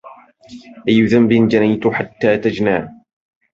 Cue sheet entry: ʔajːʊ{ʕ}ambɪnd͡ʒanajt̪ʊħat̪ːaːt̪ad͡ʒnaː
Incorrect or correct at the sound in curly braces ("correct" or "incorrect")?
incorrect